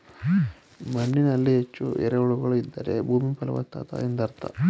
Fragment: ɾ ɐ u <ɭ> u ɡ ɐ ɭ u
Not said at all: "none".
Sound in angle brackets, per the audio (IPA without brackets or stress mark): ɭ